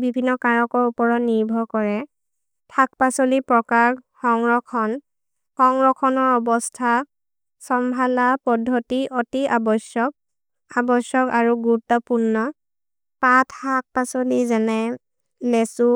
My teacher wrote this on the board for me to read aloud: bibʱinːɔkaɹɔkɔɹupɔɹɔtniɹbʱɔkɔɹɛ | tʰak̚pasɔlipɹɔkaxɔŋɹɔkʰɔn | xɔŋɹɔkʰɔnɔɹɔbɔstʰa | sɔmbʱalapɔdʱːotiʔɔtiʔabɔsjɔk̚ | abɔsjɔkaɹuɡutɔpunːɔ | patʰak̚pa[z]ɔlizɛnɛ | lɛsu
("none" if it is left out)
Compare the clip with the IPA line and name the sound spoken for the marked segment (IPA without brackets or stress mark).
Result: s